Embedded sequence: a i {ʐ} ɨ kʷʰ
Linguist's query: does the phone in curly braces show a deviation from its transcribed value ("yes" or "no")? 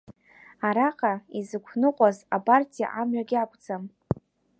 yes